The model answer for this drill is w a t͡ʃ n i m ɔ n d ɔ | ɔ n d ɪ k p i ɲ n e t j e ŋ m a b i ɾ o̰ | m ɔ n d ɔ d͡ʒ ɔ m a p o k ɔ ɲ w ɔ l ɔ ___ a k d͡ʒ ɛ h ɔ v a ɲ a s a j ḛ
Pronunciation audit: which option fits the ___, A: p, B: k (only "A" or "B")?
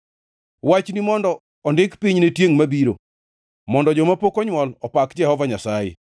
A